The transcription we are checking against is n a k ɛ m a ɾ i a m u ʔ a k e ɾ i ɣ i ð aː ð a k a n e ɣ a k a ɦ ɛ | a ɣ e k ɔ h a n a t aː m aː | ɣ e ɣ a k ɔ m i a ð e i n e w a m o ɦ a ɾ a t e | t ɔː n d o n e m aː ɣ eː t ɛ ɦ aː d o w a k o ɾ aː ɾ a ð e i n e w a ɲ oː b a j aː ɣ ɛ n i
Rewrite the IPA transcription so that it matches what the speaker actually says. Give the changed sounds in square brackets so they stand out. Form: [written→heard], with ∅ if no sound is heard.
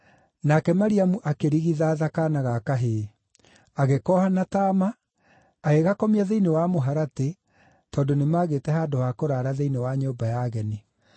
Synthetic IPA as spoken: n a k ɛ m a ɾ i a m u ʔ a k e ɾ i ɣ i ð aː ð a k a n [e→a] ɣ a k a ɦ [ɛ→e] | a ɣ e k ɔ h a n a t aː m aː | ɣ e ɣ a k ɔ m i a ð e i n e w a m o ɦ a ɾ a t e | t ɔː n d o n e m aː ɣ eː t ɛ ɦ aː d o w a k o ɾ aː ɾ a ð e i n e w a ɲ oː b a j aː ɣ ɛ n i

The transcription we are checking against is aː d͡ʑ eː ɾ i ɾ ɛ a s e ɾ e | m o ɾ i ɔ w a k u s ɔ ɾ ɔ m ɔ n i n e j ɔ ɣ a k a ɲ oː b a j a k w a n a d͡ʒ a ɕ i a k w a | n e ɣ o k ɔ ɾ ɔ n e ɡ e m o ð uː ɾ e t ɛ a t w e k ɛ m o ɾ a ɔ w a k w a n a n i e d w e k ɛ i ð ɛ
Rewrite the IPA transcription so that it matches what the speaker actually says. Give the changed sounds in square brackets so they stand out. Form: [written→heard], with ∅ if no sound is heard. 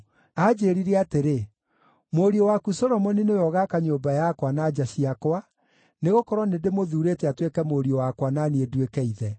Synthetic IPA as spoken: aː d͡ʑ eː ɾ i ɾ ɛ a [s→t] e ɾ e | m o ɾ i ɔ w a k u s ɔ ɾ ɔ m ɔ n i n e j ɔ ɣ a k a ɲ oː b a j a k w a n a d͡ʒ a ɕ i a k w a | n e ɣ o k ɔ ɾ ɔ n e [ɡ→d] e m o ð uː ɾ e t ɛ a t w e k ɛ m o ɾ [a→i] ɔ w a k w a n a n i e d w e k ɛ i ð ɛ

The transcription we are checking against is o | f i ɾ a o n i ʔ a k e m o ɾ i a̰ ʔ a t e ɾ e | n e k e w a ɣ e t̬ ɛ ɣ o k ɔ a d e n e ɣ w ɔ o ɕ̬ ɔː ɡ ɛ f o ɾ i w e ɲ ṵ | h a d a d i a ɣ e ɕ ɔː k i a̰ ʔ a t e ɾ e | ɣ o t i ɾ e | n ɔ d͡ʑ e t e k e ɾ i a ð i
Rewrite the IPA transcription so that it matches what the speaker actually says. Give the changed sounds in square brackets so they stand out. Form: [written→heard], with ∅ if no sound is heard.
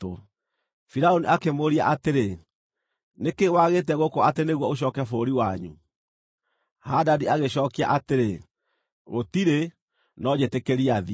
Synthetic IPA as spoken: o | f i ɾ a o n i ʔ a k e m o ɾ i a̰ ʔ a t e ɾ e | n e k e w a ɣ e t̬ ɛ ɣ o k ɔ a [d→t] e n e ɣ w ɔ o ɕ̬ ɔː [ɡ→k] ɛ f o ɾ i w [e→a] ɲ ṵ | h a d a d i a ɣ e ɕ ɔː k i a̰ ʔ a t e ɾ e | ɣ o t i ɾ e | n ɔ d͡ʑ e t e k e ɾ i a ð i

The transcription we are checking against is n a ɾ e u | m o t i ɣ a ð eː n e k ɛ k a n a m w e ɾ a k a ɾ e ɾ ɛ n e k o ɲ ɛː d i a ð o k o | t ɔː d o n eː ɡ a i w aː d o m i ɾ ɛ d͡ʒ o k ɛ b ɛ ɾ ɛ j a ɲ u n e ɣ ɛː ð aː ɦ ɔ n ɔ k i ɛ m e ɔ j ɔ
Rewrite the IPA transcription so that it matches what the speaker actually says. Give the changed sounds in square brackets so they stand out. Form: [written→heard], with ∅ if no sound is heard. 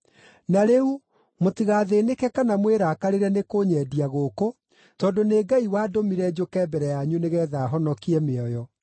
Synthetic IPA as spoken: n a ɾ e u | m o t i ɣ a ð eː n e k ɛ k a n a m w e ɾ a k a ɾ e ɾ ɛ n e k o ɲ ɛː d i a [ð→ɣ] o k o | t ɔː d o n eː ɡ a i w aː d o m i ɾ ɛ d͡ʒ o k ɛ b ɛ ɾ ɛ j a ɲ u n e ɣ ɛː ð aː ɦ ɔ n ɔ k i ɛ m e ɔ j ɔ

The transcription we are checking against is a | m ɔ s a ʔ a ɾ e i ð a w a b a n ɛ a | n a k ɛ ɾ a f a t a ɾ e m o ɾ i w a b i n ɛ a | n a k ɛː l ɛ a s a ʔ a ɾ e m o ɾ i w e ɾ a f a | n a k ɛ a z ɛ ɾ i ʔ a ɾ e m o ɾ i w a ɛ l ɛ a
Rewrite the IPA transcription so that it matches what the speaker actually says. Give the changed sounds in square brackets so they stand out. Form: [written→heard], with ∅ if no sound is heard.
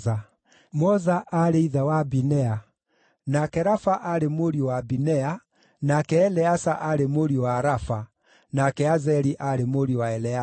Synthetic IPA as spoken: a | m ɔ [s→z] a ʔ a ɾ e i ð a w a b [a→i] n ɛ a | n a k ɛ ɾ a f a [t→ʔ] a ɾ e m o ɾ i w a b i n ɛ a | n a k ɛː l ɛ a s a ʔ a ɾ e m o ɾ i w [e→a] ɾ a f a | n a k ɛ a z ɛ ɾ i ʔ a ɾ e m o ɾ i w a ɛ l ɛ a

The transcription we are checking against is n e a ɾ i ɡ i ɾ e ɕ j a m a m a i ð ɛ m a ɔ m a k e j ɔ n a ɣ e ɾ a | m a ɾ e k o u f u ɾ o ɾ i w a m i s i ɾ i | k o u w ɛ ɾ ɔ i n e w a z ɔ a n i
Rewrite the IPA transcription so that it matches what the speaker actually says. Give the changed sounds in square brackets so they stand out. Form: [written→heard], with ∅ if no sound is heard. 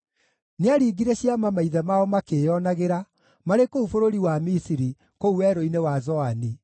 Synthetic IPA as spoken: n e a ɾ i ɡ i ɾ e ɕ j a m a m a i ð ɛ m a ɔ m a k e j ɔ n a ɣ e ɾ a | m a ɾ e k o u f [u→o] ɾ o ɾ i w a m i s i ɾ i | k o u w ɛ ɾ [ɔ→o] i n e w a z ɔ a n i

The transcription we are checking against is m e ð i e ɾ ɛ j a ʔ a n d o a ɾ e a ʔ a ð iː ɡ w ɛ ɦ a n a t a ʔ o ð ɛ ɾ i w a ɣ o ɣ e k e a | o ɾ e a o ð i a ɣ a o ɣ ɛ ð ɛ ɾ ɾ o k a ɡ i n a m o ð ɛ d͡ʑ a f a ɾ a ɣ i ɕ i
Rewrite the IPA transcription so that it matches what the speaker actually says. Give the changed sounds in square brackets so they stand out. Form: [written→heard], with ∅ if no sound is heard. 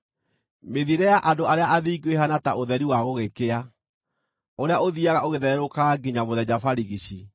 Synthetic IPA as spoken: m e ð i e ɾ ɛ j a ʔ a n d o a ɾ e a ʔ a ð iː ɡ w [ɛ→e] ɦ a n a t a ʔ o ð ɛ ɾ i w a ɣ o ɣ e k e a | o ɾ e a o ð i a ɣ a o ɣ [ɛ→e] ð ɛ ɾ ɾ o k a ɡ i [n→ɲ] a m o ð ɛ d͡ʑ a f a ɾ [a→i] ɣ i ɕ i

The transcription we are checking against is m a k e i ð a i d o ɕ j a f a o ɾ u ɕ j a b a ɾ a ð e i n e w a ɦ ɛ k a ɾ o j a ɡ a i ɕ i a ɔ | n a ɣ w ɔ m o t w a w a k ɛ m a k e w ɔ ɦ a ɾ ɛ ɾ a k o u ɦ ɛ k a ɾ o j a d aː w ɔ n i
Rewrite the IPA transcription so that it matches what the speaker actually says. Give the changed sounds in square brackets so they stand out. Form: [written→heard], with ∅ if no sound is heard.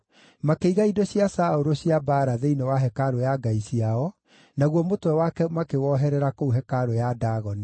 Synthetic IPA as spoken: m a k e i [ð→ɣ] a i d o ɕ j a [f→s] a o ɾ [u→o] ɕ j a b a ɾ a ð e i n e w a ɦ ɛ k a ɾ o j a ɡ a i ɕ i a ɔ | n a ɣ w ɔ m o t w [a→ɛ] w a k ɛ m a k e w ɔ ɦ [a→ɛ] ɾ ɛ ɾ a k o u ɦ ɛ k a ɾ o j a d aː [w→ɣ] ɔ n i

